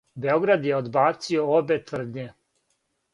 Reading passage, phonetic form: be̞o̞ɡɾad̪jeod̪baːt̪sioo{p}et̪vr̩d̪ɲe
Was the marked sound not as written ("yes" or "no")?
yes